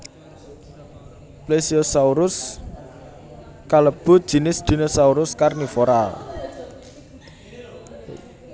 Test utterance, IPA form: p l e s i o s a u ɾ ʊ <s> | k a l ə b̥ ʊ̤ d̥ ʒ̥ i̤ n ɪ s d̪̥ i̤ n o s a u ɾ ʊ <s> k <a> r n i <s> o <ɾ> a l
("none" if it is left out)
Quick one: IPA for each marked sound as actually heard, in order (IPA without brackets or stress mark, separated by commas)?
s, s, a, f, ɾ